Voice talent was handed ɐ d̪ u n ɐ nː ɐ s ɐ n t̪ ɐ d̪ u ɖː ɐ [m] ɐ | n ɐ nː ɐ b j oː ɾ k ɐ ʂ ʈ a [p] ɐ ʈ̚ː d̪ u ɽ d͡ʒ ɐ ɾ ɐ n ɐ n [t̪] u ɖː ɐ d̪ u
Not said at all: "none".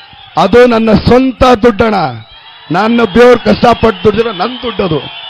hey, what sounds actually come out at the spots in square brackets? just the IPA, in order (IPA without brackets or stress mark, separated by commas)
ɳ, p, d̪